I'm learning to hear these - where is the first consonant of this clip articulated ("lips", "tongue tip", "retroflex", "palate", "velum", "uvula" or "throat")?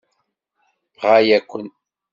uvula